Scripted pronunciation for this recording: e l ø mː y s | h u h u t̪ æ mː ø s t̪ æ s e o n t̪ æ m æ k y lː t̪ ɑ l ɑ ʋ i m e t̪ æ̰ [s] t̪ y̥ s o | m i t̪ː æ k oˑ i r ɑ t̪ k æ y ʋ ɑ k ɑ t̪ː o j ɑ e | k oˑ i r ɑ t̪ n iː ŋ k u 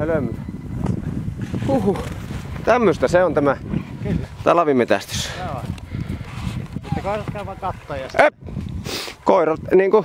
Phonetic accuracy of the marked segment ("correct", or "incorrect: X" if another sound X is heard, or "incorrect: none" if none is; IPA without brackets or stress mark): correct